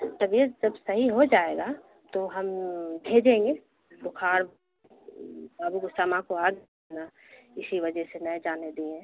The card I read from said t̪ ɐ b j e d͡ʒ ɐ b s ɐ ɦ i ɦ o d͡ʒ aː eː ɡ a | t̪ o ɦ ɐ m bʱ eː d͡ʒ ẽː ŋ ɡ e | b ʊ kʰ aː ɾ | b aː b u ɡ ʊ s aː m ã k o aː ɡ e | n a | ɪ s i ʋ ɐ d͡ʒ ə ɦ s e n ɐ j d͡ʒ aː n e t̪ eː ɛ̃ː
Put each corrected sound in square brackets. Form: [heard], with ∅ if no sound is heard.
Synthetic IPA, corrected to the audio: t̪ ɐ b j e d͡ʒ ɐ b s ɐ ɦ i ɦ o d͡ʒ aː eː ɡ a | t̪ o ɦ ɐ m bʱ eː d͡ʒ ẽː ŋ ɡ e | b ʊ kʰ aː ɾ | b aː b u ɡ ʊ s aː m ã k o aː ɡ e | n a | ɪ s i ʋ ɐ d͡ʒ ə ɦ s e n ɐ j d͡ʒ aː n e [d̪] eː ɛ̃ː